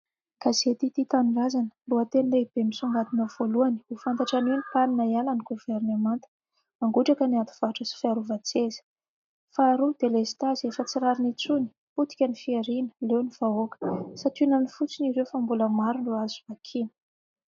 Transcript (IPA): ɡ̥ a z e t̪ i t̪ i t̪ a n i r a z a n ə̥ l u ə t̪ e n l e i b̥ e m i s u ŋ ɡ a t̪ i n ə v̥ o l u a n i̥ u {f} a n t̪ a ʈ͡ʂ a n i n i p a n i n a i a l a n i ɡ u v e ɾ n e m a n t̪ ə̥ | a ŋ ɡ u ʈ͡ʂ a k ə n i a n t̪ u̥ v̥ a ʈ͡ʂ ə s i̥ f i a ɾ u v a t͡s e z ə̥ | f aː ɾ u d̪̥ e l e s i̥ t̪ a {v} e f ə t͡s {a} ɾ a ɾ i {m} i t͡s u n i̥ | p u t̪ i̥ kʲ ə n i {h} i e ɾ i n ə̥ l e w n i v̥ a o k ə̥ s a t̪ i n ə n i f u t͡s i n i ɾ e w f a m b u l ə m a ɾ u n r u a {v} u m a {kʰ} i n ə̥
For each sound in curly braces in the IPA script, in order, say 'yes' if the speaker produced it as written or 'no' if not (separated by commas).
yes, no, no, no, no, no, yes